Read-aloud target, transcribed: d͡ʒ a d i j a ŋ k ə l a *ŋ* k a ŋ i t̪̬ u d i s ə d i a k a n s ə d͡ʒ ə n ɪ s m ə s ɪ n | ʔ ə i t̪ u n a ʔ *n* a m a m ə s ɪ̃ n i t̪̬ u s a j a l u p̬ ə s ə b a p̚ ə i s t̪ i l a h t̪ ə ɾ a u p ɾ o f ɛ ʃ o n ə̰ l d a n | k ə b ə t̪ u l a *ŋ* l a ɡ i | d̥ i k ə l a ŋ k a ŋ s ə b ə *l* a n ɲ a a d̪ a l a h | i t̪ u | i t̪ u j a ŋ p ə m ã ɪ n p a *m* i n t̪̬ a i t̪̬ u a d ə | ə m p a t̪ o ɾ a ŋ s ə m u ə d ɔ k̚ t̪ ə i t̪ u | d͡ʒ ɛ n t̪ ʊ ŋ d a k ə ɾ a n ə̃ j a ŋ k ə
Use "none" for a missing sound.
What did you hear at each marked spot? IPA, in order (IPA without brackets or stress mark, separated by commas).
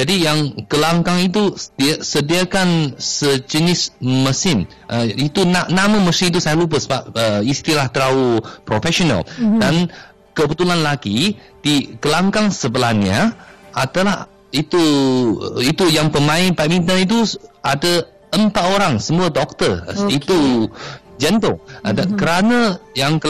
ŋ, n, n, l, m